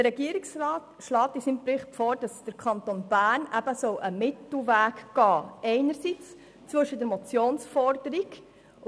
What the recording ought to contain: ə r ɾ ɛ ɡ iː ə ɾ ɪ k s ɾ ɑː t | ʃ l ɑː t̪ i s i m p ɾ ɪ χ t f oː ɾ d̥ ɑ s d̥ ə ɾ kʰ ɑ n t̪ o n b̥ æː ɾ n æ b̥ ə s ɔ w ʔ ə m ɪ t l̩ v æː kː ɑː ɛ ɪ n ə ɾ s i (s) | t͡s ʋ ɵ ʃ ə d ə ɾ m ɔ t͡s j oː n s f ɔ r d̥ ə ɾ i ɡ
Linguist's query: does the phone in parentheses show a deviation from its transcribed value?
yes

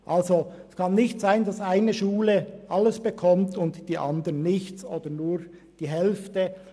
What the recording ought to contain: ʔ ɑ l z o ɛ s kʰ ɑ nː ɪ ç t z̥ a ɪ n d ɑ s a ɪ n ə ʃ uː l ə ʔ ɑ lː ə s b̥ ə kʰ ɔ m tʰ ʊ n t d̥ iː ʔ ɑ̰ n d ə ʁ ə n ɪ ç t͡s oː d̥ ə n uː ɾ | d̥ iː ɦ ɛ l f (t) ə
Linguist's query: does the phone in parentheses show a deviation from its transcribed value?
no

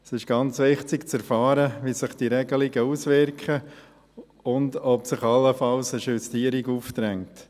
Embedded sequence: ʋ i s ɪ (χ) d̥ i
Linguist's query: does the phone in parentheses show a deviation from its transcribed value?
no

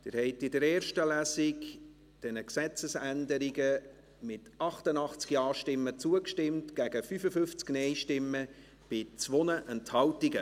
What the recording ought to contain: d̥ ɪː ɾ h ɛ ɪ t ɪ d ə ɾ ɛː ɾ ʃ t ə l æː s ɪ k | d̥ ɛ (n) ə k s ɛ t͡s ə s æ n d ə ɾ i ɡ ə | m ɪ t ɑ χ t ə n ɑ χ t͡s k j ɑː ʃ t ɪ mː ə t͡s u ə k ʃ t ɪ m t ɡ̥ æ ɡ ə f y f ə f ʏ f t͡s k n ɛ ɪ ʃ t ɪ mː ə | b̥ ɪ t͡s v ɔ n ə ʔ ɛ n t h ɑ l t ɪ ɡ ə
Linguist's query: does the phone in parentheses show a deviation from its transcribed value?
no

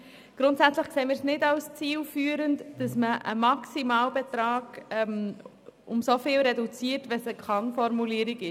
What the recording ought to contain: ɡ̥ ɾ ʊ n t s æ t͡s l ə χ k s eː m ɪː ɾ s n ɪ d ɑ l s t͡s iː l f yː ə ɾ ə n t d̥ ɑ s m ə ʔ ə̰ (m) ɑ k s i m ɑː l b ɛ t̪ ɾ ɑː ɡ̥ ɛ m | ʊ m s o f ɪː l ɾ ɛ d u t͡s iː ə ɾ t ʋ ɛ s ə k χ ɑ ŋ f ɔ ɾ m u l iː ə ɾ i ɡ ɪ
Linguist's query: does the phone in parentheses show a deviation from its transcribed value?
no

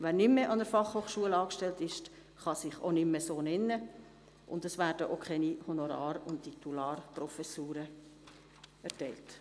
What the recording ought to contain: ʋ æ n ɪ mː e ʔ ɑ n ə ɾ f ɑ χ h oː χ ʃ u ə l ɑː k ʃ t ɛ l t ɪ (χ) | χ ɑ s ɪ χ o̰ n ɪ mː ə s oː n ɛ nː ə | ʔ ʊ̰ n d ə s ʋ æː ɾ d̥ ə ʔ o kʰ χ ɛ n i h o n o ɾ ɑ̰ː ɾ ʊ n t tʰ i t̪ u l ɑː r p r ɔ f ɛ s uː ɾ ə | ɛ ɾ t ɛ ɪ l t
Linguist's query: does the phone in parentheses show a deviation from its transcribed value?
yes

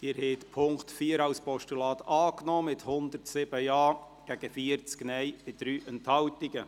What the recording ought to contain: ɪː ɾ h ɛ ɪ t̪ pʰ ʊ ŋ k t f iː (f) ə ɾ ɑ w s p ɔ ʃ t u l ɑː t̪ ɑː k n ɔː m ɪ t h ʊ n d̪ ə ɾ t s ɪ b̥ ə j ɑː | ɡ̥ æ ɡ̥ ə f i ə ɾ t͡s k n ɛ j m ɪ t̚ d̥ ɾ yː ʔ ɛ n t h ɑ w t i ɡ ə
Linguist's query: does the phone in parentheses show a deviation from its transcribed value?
yes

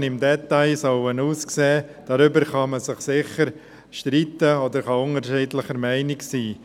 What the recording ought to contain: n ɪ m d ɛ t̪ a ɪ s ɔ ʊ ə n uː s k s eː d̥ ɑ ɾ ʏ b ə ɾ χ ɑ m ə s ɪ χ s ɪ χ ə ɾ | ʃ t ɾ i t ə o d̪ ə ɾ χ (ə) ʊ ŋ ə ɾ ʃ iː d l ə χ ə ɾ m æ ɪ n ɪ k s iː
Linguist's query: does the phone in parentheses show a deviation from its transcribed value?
yes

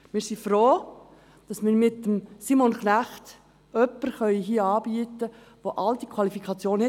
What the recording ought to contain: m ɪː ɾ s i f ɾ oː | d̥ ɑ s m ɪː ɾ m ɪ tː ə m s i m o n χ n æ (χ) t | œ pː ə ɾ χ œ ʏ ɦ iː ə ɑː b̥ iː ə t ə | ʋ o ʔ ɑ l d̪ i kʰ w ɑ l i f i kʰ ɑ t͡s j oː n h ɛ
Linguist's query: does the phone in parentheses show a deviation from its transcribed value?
no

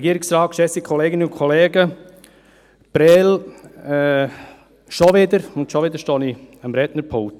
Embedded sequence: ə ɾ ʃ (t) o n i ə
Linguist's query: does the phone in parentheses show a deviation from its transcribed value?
no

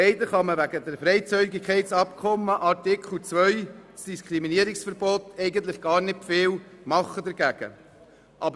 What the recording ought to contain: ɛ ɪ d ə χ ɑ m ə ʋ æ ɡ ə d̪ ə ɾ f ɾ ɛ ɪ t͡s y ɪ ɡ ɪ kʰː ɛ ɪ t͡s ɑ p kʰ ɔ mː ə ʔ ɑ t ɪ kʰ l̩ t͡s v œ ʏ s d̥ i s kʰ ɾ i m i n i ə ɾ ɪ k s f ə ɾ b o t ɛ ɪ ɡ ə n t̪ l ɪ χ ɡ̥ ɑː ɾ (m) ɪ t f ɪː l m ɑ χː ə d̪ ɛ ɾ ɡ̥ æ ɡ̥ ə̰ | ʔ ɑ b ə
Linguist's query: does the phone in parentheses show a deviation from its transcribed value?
yes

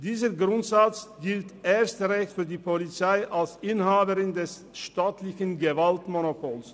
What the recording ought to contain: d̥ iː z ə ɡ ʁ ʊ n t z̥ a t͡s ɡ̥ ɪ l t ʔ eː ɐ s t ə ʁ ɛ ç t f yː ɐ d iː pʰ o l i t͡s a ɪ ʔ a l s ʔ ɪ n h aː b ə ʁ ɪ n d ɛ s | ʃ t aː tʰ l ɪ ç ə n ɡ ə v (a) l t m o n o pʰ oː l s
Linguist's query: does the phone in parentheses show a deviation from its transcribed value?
no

